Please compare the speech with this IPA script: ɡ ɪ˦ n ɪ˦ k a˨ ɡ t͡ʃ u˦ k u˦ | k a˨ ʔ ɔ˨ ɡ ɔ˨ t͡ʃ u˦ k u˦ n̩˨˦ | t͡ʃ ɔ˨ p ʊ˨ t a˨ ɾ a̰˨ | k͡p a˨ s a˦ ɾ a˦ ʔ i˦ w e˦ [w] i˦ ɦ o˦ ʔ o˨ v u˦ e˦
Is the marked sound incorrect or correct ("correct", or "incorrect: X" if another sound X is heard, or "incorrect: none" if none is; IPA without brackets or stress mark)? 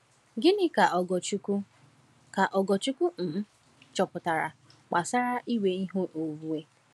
incorrect: none